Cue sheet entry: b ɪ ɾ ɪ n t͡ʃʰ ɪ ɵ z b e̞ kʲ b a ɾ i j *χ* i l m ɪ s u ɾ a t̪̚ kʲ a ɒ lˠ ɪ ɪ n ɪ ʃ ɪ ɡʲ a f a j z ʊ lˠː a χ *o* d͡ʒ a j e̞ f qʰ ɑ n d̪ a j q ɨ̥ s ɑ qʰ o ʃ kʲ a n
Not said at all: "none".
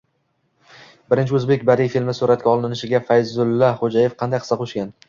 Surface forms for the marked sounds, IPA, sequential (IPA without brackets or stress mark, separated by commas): f, o